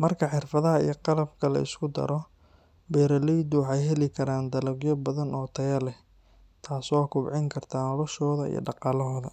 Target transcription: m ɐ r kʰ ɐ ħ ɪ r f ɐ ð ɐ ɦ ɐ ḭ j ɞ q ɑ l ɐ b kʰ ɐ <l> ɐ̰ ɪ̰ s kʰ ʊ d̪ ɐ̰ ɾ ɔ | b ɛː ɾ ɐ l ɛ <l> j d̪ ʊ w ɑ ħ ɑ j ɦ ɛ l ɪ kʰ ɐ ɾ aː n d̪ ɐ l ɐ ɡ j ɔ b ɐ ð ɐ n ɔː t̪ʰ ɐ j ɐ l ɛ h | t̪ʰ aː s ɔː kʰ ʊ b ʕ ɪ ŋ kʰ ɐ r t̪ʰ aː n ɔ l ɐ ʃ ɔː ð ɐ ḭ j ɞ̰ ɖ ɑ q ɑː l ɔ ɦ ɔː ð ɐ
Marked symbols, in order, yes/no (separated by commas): yes, no